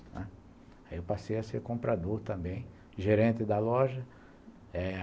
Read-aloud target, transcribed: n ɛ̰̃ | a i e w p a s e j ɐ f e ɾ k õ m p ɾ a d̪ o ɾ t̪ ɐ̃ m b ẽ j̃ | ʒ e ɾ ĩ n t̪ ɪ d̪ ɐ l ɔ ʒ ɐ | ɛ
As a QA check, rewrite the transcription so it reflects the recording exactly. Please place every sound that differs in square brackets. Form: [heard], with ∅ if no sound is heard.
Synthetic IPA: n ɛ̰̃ | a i e w p a s e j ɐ [s] e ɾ k õ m p ɾ a d̪ o ɾ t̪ ɐ̃ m b ẽ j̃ | ʒ e ɾ [ẽ] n t̪ ɪ d̪ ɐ l ɔ ʒ ɐ | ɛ